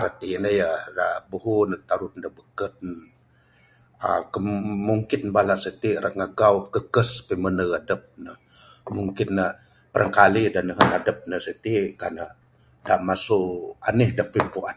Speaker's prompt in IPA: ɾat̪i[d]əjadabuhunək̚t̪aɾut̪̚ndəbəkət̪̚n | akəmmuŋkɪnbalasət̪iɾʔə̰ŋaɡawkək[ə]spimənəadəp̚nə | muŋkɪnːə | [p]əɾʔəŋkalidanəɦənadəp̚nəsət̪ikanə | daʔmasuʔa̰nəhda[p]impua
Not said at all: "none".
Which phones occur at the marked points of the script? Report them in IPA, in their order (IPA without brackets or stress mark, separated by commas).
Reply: n, ə, p, p